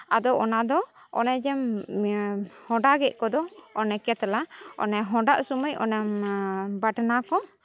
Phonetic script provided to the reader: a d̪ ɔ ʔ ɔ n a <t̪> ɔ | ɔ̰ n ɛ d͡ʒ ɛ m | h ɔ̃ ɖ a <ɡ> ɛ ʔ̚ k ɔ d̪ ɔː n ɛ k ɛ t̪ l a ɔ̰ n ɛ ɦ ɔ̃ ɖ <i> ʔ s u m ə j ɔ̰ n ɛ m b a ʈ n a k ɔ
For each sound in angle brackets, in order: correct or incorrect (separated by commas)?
incorrect, correct, incorrect